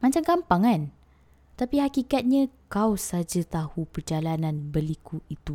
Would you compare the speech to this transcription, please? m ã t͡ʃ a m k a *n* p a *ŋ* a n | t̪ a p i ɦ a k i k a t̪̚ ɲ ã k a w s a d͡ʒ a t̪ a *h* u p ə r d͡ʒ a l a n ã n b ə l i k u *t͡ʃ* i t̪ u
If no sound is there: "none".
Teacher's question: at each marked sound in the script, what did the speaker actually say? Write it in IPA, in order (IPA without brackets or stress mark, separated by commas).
m, ŋ, h, none